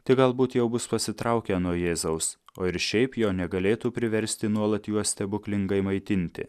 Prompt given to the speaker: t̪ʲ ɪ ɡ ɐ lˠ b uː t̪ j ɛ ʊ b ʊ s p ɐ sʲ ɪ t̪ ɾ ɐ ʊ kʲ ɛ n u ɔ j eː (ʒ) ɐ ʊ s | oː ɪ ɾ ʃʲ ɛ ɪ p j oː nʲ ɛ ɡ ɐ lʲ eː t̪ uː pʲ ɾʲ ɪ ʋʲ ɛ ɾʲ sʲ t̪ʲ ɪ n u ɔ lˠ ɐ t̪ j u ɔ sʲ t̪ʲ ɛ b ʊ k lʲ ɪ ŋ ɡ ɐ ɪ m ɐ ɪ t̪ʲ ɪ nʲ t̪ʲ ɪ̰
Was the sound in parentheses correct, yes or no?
no